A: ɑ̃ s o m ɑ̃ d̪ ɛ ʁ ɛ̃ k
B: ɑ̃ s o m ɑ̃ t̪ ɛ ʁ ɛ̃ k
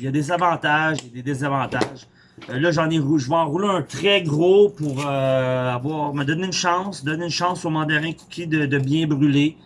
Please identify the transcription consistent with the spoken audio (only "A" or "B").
A